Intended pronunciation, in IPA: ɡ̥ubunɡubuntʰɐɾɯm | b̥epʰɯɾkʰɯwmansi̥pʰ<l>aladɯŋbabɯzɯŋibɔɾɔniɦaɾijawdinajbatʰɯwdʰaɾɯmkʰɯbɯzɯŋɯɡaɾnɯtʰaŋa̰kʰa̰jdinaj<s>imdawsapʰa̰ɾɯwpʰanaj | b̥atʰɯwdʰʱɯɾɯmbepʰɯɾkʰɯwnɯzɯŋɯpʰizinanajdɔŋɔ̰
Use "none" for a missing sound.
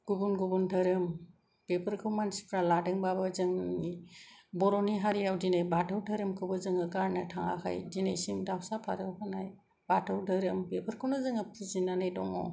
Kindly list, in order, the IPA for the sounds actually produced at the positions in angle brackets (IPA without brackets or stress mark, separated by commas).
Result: ɾ, s